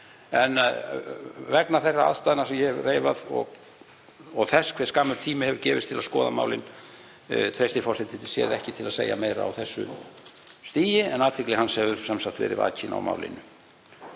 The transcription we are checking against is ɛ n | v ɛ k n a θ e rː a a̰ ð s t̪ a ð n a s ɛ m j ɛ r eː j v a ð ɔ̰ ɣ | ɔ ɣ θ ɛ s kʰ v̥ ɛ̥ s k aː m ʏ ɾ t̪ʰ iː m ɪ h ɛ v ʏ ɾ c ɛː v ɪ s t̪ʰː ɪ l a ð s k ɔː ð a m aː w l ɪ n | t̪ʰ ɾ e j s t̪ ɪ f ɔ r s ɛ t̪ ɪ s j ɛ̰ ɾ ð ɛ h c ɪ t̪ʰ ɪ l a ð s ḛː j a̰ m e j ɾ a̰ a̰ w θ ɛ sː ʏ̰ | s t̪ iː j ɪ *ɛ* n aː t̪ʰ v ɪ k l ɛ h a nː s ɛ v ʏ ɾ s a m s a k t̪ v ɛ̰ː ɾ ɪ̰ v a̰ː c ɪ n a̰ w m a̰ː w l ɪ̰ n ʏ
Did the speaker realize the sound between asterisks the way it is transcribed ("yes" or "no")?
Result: yes